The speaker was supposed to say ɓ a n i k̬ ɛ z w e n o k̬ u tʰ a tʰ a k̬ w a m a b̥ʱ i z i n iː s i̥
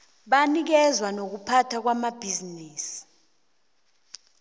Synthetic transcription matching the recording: ɓ a n i k̬ ɛ z w a n o k̬ u pʰ a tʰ a k̬ w a m a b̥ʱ i z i n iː s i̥